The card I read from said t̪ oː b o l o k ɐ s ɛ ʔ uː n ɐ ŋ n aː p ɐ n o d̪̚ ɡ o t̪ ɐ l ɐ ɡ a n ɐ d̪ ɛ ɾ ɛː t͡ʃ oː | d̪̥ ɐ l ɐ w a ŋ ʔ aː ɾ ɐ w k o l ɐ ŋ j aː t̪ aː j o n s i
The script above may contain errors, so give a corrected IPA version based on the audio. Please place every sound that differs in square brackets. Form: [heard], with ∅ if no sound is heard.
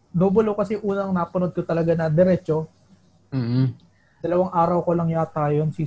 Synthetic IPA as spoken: [d̪] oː b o l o k ɐ s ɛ ʔ uː n ɐ ŋ n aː p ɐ n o d̪̚ [k] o t̪ ɐ l ɐ ɡ a n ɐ d̪ ɛ ɾ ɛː t͡ʃ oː | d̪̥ ɐ l ɐ w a ŋ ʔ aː ɾ ɐ w k o l ɐ ŋ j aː t̪ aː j o n s i